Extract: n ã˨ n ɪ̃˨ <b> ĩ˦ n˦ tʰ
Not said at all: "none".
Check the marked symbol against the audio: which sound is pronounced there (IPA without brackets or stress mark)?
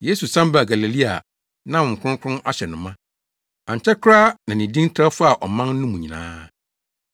d